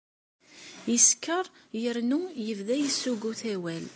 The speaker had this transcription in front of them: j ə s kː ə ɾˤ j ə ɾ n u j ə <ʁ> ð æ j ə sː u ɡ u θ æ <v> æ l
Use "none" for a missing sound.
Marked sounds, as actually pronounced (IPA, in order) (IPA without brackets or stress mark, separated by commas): v, w